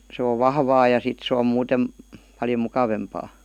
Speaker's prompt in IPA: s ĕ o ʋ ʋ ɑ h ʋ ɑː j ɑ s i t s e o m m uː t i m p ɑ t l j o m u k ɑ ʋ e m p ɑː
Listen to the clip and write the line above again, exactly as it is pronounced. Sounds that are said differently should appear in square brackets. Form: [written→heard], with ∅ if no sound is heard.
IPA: s ĕ o ʋ ʋ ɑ h ʋ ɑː j ɑ s i t s e o m m uː t [i→e] m p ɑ [t→∅] l j o m u k ɑ ʋ e m p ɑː